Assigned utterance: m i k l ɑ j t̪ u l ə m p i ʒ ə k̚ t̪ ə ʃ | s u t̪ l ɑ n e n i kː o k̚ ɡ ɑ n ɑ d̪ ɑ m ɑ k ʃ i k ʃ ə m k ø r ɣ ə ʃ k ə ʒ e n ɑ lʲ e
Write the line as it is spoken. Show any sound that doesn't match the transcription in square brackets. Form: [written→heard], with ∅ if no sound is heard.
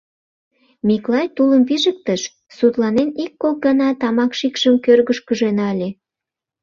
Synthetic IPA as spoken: m i k l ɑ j t̪ u l ə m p i ʒ ə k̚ t̪ ə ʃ | s u t̪ l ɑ n e n i kː o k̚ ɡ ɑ n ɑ [d̪→t̪] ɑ m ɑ k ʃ i k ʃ ə m k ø r ɣ ə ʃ k ə ʒ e n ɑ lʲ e